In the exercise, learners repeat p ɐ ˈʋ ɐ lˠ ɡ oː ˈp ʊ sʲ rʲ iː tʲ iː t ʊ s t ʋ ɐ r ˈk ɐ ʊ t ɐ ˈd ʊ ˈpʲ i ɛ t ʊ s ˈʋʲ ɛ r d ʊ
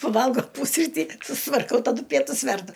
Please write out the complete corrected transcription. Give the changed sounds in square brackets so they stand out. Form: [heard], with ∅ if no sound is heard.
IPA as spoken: p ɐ ˈʋ ɐ lˠ ɡ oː ˈp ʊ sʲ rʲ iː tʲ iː [s] ʊ s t ʋ ɐ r ˈk ɐ ʊ t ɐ ˈd ʊ ˈpʲ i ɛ t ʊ s ˈʋʲ ɛ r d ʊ